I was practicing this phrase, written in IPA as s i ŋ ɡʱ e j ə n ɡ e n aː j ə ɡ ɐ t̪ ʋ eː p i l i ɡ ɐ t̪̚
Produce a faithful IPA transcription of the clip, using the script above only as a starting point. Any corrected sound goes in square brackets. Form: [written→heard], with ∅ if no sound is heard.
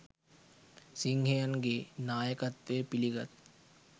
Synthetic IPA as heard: s i ŋ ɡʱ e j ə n ɡ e n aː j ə [ɡ→k] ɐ t̪ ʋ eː p i l i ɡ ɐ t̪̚